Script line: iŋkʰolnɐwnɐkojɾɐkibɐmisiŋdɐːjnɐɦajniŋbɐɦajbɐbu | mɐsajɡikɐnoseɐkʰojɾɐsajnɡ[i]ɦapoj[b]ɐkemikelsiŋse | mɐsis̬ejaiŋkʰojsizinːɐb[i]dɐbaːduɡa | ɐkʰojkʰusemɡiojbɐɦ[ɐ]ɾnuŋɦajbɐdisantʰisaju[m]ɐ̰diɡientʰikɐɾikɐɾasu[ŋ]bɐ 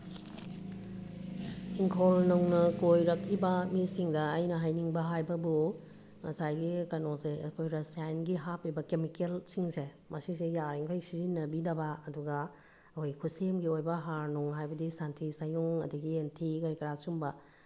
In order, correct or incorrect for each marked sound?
correct, correct, correct, incorrect: a, incorrect: ŋ, incorrect: m

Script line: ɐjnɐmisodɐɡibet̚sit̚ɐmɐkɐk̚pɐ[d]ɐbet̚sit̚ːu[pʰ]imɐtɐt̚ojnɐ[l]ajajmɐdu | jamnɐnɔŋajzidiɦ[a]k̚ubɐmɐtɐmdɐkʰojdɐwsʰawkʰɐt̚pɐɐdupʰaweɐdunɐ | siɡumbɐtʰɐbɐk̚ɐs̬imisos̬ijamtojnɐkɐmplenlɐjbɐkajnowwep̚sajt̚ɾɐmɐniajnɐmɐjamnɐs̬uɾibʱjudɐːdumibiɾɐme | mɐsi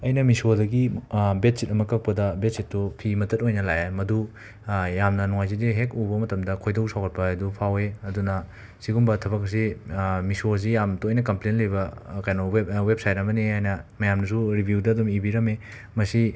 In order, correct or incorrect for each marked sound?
correct, correct, correct, incorrect: e

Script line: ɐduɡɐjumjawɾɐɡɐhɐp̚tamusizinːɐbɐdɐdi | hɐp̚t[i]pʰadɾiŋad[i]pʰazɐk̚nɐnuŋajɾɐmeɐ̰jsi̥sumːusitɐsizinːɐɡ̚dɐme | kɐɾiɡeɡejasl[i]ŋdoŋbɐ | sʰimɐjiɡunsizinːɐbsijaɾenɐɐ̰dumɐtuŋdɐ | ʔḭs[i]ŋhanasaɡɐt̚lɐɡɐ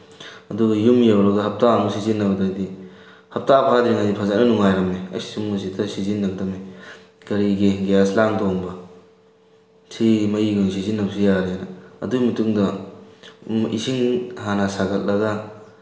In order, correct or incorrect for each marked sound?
incorrect: a, correct, incorrect: a, correct

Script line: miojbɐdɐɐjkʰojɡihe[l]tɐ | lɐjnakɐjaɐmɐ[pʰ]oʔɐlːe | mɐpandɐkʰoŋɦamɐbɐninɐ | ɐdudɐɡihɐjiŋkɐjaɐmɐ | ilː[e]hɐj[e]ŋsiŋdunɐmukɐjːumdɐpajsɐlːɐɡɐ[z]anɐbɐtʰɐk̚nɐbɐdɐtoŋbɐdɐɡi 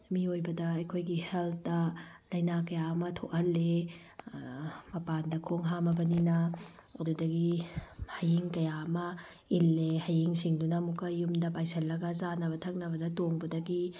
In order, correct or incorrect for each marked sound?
correct, incorrect: tʰ, correct, incorrect: i, correct

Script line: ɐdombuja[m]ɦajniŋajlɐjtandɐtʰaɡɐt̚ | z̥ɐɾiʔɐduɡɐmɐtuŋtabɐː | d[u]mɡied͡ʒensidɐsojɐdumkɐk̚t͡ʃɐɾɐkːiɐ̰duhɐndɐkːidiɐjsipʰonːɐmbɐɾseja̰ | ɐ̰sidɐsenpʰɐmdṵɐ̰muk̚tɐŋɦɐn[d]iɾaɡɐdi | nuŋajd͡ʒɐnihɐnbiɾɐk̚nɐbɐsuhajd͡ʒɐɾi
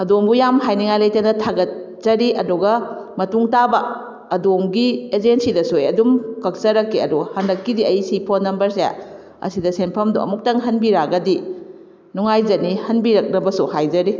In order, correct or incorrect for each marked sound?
correct, incorrect: o, incorrect: b

